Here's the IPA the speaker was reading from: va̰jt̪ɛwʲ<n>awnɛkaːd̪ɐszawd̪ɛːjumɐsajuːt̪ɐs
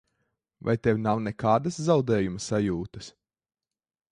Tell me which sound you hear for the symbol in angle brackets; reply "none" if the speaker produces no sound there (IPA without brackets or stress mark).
n